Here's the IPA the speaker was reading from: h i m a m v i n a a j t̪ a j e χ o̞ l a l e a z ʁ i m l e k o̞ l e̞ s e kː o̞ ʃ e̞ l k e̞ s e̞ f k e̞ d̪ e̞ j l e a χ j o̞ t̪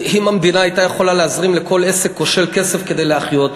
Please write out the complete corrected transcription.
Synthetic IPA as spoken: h i m a m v i n a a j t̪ a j e χ o̞ l a l e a z ʁ i m l e k o̞ l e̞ s e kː o̞ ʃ e̞ l k e̞ s e̞ f k e̞ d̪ e̞ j l e a χ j o̞ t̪

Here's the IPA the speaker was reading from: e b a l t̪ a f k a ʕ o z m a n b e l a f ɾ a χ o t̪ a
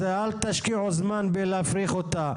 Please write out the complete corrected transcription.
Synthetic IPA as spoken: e a l t̪ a ʃ k i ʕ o z m a n b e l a f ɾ i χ o t̪ a

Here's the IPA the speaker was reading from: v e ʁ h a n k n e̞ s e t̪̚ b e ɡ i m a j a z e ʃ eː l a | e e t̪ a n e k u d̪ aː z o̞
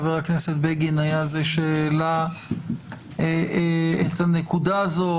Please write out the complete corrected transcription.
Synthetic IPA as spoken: v e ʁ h a k n e̞ s e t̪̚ b e ɡ i n a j a z e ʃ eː l a | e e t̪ a n e k u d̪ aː z o̞

